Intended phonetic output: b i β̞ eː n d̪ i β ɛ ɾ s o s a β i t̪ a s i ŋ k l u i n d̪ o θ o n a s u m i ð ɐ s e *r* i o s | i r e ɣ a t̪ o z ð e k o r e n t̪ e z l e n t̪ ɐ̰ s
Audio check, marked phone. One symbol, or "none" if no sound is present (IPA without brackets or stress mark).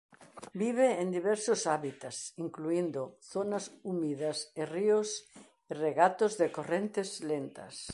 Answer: r